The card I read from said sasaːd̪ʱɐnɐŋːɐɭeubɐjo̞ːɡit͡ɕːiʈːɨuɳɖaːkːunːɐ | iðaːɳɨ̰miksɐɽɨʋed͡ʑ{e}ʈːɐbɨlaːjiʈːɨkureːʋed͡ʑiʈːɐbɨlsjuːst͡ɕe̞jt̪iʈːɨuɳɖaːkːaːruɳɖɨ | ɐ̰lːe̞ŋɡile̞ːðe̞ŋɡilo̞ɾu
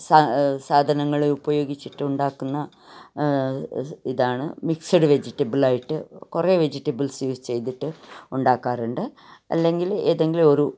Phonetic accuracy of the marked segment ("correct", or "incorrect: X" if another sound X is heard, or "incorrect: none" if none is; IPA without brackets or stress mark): incorrect: i